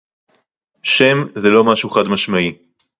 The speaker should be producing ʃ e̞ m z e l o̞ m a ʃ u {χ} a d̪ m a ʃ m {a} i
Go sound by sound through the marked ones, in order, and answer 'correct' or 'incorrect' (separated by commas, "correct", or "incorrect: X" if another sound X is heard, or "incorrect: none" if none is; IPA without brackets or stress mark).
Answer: correct, correct